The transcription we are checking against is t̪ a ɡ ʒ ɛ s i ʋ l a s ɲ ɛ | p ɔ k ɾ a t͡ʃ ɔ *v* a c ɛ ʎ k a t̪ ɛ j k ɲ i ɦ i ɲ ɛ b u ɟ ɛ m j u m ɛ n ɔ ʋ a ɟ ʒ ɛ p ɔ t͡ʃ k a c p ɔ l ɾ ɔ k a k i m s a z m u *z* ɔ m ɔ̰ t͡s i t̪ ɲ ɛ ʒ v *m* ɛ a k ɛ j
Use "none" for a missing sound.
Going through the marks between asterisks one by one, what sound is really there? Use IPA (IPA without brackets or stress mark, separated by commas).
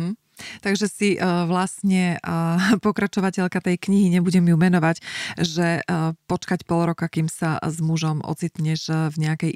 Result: ʋ, ʒ, ɲ